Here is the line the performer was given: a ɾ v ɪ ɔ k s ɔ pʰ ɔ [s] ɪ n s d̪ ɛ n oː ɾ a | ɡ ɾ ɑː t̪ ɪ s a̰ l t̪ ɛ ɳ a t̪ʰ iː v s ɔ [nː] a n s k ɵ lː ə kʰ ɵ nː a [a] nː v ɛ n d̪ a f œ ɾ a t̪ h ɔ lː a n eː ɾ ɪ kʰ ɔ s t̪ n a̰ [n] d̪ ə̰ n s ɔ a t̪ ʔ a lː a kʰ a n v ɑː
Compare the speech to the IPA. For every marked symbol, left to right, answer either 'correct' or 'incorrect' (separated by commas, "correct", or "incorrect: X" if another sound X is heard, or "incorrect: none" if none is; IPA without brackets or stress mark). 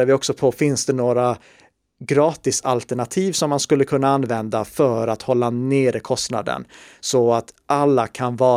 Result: incorrect: f, incorrect: mː, correct, incorrect: none